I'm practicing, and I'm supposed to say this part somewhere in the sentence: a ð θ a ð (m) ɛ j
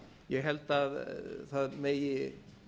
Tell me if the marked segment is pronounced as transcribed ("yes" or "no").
yes